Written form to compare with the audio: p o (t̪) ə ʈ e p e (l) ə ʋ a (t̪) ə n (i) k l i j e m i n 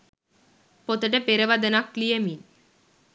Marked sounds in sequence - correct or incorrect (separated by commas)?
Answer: correct, incorrect, incorrect, incorrect